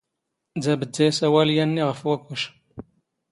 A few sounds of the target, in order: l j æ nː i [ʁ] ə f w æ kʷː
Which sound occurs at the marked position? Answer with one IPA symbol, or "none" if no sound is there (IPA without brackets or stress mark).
ʁ